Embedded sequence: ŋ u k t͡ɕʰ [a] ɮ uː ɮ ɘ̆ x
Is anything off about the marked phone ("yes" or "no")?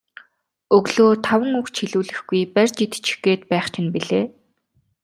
yes